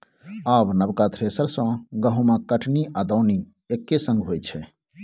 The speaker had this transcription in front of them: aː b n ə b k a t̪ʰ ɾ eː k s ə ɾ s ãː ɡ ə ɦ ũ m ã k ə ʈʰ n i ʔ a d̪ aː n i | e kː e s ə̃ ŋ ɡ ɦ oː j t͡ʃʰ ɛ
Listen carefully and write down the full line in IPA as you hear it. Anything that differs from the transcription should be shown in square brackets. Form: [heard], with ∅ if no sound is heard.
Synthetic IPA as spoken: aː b n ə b k a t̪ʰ ɾ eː [∅] s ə ɾ s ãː ɡ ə ɦ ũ m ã k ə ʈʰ n i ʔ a d̪ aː n i | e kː e s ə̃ ŋ ɡ ɦ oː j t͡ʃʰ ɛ